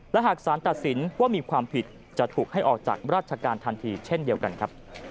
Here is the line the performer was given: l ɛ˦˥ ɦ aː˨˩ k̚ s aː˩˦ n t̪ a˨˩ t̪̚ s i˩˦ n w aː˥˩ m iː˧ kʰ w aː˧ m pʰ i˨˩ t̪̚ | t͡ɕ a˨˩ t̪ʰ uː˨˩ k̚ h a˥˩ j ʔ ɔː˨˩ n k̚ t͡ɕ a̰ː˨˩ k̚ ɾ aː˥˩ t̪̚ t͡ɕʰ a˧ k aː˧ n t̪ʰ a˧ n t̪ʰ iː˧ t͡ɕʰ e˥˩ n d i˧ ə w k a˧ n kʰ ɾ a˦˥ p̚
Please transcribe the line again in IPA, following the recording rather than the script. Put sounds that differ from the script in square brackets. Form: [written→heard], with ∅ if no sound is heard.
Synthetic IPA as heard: l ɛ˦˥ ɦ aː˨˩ k̚ s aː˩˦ n t̪ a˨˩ t̪̚ s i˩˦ n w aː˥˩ m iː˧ kʰ w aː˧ m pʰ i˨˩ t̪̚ | t͡ɕ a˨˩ t̪ʰ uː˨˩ k̚ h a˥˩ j ʔ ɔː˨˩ [n→∅] k̚ t͡ɕ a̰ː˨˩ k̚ ɾ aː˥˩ t̪̚ t͡ɕʰ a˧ k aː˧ n t̪ʰ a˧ n t̪ʰ iː˧ t͡ɕʰ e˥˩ n d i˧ ə w k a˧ n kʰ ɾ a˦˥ p̚